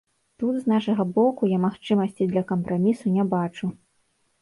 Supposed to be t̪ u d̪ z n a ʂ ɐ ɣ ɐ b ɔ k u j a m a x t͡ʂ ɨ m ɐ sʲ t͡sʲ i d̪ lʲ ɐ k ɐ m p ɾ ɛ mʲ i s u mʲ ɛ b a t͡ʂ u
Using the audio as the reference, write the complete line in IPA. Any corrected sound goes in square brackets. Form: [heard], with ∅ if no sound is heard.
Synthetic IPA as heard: t̪ u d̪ z n a ʂ ɐ ɣ ɐ b ɔ k u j a m a x t͡ʂ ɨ m ɐ sʲ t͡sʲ i d̪ lʲ ɐ k ɐ m p ɾ [a] mʲ i s u [nʲ] ɛ b a t͡ʂ u